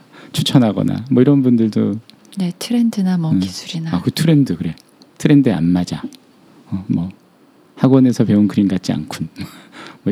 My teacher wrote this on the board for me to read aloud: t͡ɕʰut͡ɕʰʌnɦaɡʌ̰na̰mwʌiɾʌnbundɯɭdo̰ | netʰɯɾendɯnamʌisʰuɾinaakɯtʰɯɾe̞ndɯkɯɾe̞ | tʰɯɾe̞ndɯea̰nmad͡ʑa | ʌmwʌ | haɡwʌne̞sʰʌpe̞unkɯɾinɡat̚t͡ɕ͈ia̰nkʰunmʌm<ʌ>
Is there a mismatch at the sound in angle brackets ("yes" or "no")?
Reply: no